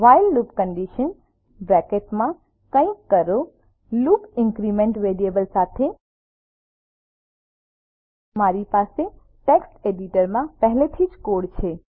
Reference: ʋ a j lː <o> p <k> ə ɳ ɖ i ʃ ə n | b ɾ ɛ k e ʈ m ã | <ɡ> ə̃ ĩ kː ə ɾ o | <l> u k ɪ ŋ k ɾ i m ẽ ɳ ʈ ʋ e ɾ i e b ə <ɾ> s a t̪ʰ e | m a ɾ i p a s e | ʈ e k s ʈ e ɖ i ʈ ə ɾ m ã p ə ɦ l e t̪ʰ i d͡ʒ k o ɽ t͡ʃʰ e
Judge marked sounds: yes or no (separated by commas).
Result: no, yes, no, yes, no